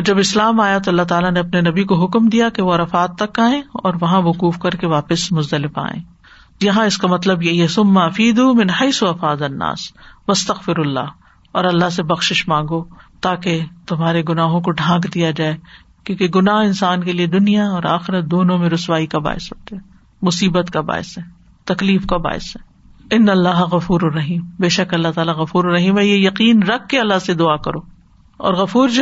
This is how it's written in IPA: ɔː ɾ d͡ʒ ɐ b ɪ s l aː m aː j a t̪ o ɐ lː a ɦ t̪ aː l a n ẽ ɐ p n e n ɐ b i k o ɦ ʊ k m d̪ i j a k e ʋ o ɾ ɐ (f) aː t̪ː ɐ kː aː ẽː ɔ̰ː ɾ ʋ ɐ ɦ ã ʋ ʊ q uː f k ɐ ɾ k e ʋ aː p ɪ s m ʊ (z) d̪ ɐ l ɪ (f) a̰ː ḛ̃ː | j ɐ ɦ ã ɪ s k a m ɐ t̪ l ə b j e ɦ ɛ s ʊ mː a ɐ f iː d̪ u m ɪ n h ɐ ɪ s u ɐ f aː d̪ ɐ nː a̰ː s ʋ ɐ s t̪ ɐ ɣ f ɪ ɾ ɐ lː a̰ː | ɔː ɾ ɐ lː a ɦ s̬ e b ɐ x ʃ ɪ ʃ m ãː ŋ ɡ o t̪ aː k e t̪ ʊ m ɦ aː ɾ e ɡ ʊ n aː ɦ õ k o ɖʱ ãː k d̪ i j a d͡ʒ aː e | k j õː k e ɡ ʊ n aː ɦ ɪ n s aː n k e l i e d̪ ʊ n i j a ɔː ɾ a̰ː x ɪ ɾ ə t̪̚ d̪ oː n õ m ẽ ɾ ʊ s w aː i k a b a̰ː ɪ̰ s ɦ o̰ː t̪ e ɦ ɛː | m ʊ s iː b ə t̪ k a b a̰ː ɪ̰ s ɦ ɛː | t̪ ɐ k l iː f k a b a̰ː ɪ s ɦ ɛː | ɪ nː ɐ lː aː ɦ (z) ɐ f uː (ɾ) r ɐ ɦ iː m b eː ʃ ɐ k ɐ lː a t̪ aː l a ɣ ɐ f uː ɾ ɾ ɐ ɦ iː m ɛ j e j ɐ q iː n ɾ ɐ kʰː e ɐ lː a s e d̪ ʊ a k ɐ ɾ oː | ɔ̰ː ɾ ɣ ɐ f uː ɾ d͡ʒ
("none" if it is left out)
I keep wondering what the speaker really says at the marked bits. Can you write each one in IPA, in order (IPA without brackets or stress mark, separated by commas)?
f, z, f, ɣ, ɾ